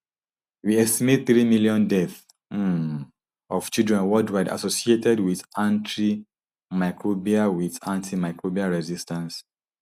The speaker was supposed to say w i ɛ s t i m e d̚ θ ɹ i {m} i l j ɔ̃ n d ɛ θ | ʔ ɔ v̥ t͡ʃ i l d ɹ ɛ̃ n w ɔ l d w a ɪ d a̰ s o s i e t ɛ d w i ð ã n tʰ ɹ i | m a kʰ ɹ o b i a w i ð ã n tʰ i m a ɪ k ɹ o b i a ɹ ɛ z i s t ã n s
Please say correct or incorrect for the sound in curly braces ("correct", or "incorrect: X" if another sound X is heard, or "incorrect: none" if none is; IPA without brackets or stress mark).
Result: correct